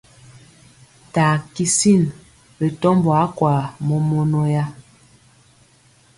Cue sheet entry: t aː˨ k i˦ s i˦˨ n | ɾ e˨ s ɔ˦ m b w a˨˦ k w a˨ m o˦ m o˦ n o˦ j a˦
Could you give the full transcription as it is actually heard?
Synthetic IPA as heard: t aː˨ k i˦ s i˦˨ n | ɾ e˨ t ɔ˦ m b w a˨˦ k w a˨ m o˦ m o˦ n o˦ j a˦

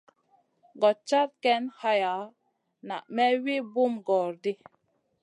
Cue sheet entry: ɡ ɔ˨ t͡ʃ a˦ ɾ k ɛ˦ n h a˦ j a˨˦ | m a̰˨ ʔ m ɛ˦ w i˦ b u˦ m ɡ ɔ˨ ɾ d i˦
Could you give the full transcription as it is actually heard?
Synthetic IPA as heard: ɡ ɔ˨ t͡ʃ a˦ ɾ k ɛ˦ n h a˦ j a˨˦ | n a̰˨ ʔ m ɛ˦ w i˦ b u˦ m ɡ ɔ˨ ɾ d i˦

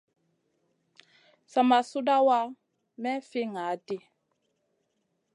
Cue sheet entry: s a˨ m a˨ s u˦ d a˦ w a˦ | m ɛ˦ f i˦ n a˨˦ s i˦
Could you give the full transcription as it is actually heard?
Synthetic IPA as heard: s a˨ m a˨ s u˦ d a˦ w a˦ | m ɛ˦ f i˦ ŋ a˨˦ t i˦

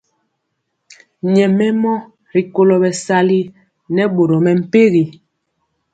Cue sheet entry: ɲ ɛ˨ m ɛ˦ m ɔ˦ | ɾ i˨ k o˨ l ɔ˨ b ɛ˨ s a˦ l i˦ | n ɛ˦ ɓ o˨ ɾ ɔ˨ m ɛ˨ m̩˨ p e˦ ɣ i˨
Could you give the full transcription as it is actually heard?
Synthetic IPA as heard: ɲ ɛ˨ m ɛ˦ m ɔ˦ | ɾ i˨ k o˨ l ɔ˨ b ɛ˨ s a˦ l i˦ | n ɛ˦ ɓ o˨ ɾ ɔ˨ m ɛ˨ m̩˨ p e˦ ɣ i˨

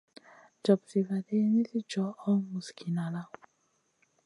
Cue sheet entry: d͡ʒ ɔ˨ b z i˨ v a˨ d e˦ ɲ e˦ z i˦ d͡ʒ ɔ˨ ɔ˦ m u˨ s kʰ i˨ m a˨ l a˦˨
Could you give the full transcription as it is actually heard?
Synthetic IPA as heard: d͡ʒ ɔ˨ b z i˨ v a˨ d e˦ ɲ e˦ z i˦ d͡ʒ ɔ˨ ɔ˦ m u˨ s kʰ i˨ n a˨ l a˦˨

